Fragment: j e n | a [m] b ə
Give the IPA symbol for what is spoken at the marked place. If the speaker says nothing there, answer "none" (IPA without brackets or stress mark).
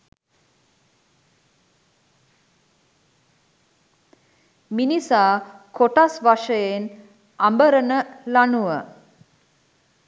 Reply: m